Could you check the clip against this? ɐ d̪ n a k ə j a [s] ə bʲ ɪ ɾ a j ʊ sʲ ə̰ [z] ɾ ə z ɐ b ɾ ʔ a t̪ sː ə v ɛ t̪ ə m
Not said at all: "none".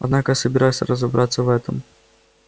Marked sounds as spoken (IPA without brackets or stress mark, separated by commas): s, none